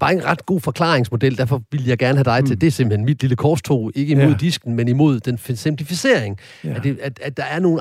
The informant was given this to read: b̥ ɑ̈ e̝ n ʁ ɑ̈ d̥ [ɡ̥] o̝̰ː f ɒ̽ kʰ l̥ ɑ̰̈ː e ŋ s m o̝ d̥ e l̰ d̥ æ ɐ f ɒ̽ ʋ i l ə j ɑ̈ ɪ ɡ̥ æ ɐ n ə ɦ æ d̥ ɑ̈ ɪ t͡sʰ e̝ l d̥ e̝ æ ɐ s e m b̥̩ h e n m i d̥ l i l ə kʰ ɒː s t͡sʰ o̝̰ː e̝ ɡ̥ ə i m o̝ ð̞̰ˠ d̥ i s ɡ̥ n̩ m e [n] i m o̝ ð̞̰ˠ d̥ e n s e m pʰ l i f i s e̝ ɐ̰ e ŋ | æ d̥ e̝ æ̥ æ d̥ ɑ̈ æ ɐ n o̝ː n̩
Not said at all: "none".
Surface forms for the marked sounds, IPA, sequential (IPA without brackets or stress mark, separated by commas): ɡ̥, n